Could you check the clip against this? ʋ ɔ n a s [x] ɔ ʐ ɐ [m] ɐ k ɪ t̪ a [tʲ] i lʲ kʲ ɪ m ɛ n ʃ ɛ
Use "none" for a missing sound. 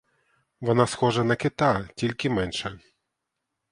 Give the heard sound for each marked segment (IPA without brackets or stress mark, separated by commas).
x, n, tʲ